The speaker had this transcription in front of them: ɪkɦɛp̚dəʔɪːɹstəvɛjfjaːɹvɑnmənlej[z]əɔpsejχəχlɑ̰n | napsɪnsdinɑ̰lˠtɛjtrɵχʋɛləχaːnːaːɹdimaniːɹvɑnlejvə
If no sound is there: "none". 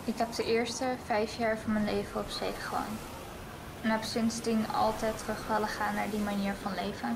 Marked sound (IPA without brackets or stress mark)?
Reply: v